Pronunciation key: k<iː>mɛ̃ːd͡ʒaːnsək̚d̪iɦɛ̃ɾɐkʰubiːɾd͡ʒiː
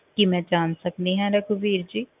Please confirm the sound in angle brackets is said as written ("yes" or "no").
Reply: no